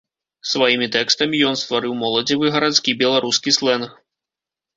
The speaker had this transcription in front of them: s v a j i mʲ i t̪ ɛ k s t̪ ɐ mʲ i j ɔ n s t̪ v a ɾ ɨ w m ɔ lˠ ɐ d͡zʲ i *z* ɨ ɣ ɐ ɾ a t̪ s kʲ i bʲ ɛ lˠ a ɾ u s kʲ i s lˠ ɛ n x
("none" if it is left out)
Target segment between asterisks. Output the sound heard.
v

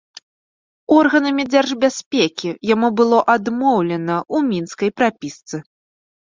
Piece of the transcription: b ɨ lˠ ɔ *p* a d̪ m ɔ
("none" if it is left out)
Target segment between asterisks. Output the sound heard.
ʔ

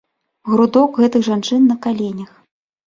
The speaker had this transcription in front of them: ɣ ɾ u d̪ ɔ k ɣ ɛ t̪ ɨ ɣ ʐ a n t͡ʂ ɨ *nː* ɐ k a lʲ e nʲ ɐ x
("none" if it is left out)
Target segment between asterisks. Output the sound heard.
nː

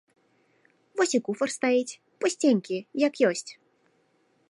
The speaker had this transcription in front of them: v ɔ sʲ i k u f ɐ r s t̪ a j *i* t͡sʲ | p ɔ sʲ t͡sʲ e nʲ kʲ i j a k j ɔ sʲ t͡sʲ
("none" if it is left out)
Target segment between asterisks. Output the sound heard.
i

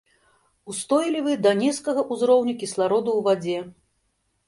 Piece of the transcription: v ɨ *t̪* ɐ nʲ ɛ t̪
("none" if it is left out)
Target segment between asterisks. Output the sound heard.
d̪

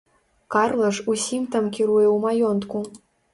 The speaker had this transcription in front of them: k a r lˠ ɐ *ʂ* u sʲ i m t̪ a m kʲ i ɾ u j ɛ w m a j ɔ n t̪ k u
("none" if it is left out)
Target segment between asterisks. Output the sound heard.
ʂ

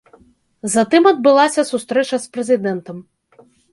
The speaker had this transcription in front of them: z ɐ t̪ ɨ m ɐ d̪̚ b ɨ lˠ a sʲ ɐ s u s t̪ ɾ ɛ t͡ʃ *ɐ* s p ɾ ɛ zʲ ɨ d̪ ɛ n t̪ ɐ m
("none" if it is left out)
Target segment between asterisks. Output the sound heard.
ɐ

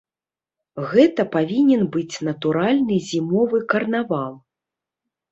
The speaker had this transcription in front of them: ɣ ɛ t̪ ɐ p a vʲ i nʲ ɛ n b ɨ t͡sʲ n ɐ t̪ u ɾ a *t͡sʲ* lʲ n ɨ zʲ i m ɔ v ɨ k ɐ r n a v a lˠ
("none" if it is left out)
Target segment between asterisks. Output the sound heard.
none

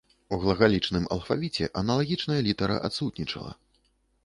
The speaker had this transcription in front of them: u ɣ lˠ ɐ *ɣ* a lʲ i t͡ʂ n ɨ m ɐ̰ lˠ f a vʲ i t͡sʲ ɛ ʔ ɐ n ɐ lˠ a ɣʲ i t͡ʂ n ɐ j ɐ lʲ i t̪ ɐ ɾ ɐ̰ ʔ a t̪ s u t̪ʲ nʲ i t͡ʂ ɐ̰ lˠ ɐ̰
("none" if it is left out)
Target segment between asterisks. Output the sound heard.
ɣ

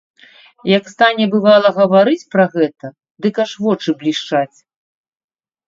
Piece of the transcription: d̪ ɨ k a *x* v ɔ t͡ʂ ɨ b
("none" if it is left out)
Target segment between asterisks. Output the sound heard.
ʂ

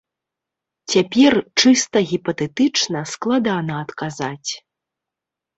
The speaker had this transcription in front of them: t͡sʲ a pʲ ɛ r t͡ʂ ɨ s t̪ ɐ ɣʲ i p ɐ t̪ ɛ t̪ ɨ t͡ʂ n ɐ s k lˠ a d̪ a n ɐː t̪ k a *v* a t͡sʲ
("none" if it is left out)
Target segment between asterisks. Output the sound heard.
z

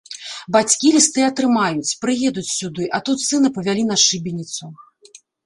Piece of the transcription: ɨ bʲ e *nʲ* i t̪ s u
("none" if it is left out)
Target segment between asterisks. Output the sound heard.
nʲ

